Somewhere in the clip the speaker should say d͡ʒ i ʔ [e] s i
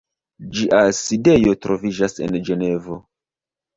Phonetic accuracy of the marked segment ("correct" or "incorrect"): incorrect